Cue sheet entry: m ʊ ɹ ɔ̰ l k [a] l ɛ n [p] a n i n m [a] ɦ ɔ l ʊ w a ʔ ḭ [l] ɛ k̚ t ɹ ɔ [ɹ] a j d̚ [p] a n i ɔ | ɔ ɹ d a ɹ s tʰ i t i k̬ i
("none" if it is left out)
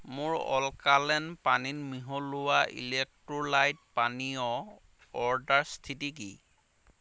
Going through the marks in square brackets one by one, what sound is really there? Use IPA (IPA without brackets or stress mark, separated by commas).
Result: a, p, i, l, l, p